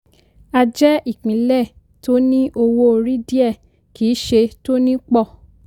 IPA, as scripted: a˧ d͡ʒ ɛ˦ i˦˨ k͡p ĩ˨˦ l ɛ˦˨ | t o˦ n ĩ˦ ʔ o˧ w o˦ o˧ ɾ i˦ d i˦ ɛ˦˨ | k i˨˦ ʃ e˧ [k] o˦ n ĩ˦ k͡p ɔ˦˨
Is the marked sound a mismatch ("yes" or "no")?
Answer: yes